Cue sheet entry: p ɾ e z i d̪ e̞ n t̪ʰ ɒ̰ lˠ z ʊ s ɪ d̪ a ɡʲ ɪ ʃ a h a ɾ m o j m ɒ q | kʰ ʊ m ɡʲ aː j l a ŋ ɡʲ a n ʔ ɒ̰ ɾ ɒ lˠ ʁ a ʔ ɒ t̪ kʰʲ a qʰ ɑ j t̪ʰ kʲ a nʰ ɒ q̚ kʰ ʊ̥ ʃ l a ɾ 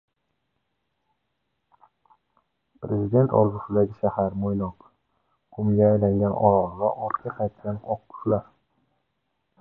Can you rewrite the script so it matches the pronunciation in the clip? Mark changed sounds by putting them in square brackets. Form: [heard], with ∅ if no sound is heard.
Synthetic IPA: p ɾ e z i d̪ e̞ n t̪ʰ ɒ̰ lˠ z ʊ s ɪ d̪ a ɡʲ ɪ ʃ a h a ɾ m o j [n] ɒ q | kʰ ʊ m ɡʲ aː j l a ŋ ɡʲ a n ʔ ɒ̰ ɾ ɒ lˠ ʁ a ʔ ɒ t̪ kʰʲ a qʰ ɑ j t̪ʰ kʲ a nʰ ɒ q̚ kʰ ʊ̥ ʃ l a ɾ